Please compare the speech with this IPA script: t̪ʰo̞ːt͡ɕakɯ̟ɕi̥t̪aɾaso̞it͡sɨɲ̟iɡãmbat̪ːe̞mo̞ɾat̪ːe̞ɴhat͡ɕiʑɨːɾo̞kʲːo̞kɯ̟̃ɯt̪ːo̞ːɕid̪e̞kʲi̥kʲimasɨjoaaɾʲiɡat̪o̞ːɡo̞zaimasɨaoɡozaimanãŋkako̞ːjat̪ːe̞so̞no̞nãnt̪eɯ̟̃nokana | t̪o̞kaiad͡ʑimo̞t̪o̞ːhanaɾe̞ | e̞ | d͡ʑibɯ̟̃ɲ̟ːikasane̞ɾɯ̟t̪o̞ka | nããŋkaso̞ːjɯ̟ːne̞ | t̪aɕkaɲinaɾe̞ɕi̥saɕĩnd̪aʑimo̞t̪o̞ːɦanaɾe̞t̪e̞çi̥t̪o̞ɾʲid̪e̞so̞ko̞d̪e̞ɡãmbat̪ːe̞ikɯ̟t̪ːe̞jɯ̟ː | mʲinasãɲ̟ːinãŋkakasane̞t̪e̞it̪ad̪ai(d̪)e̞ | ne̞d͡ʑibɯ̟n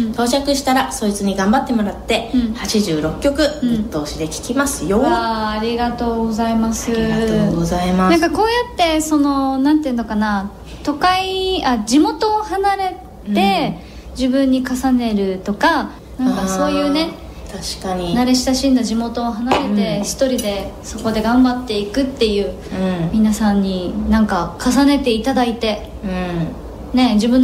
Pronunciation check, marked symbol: incorrect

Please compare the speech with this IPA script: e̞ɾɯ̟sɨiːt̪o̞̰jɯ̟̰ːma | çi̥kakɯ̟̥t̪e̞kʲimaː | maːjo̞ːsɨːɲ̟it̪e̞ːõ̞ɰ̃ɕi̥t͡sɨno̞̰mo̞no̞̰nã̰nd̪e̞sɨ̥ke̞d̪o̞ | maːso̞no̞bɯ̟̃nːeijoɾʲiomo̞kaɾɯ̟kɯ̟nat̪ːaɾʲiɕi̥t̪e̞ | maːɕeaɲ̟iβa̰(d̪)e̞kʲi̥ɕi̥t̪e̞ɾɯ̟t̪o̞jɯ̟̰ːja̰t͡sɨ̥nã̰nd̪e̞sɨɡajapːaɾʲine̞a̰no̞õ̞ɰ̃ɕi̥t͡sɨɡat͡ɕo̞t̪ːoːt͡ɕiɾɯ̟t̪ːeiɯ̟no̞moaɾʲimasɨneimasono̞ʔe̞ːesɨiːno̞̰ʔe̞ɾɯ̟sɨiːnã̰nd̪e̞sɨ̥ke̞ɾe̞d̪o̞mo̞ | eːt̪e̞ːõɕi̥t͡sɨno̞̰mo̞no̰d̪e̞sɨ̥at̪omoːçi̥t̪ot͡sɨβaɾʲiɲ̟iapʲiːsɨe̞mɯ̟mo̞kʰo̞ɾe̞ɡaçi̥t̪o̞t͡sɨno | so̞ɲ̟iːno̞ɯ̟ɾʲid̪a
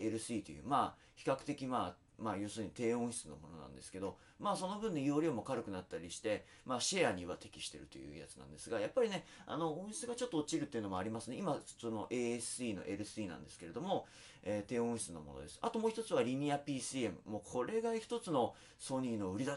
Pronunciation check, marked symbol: incorrect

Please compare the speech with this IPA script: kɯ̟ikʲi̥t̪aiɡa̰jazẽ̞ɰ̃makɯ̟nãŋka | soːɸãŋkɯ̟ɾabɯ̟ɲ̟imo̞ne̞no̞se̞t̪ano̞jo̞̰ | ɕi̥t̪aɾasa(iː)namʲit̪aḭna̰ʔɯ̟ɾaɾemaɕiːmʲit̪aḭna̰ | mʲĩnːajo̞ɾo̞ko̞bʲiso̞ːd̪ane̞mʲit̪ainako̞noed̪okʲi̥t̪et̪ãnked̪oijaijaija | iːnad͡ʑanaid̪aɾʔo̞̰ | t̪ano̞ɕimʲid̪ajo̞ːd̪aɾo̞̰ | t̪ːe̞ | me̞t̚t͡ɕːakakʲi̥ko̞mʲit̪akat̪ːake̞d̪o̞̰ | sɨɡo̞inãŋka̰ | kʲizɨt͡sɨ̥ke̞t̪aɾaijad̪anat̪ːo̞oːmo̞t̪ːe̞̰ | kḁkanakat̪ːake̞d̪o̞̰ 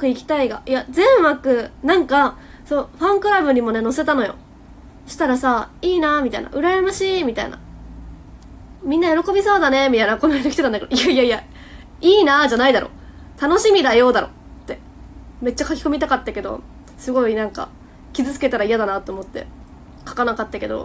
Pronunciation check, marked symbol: correct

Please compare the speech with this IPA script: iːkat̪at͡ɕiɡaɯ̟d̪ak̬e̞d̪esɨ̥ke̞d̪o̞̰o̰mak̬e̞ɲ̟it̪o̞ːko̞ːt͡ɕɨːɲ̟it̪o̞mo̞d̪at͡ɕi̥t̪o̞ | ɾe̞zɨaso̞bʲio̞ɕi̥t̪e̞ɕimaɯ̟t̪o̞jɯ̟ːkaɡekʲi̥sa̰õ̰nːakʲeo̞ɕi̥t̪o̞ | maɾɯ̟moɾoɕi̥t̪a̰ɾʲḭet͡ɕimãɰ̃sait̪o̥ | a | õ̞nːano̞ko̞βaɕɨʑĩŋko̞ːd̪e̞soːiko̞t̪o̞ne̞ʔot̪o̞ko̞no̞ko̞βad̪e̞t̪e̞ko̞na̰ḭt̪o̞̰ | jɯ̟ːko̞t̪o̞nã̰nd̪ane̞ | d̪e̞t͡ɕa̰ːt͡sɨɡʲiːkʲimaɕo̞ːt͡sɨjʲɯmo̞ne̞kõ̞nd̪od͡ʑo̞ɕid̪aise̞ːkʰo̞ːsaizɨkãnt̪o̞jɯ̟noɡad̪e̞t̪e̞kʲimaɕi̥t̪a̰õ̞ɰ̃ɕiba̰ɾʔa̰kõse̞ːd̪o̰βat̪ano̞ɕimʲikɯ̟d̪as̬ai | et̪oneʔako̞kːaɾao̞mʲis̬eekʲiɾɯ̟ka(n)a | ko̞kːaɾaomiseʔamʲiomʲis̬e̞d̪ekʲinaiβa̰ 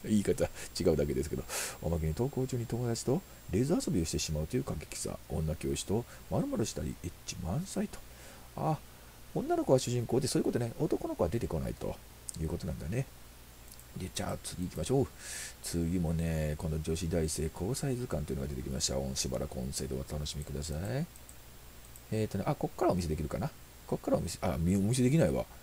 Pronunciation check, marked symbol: correct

